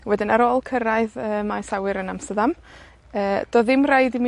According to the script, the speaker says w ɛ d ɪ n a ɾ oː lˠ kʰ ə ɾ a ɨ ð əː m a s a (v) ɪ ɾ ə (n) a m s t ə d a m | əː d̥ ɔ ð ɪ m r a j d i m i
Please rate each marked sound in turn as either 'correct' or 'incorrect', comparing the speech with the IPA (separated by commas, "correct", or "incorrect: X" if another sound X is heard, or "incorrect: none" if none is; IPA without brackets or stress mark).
incorrect: w, correct